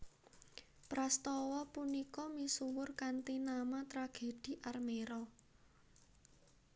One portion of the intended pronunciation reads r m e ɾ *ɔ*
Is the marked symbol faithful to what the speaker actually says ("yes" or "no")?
yes